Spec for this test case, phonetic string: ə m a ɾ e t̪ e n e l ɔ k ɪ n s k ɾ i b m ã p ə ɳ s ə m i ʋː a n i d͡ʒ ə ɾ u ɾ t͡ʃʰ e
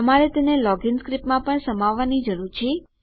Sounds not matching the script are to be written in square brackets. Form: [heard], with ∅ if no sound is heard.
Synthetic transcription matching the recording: ə m a ɾ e t̪ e n e l ɔ [ɡ] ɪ n s k ɾ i [p] m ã p ə ɳ s ə m [a] ʋː a n i d͡ʒ ə ɾ u ɾ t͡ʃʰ e